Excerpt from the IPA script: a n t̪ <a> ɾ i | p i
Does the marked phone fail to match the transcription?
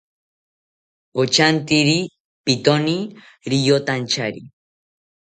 yes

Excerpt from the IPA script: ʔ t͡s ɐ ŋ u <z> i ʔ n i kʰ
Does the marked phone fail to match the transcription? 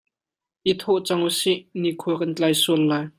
yes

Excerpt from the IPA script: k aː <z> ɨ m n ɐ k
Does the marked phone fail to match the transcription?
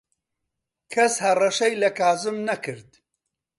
no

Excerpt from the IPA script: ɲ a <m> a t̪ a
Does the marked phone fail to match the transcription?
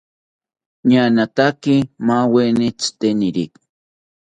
yes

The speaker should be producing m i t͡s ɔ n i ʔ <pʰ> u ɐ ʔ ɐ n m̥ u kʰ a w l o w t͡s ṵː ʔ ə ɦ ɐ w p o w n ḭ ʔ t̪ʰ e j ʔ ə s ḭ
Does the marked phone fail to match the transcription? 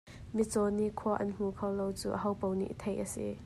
yes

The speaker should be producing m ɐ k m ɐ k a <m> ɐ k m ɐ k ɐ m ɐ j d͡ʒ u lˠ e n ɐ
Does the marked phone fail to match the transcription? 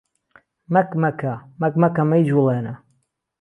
no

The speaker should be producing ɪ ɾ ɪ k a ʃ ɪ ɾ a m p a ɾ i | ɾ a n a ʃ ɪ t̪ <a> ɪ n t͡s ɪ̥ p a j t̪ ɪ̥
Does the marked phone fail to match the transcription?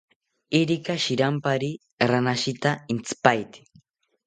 no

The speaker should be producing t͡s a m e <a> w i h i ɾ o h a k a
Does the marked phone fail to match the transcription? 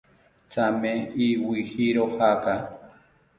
yes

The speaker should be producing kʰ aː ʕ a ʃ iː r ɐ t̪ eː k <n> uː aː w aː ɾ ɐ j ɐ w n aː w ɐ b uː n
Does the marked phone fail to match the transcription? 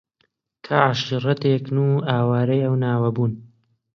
no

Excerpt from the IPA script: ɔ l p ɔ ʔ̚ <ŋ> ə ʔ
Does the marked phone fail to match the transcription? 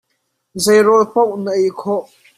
yes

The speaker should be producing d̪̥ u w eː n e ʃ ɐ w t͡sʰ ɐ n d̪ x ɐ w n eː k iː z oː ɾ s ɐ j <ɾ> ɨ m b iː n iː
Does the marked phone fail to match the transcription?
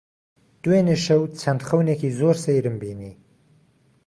no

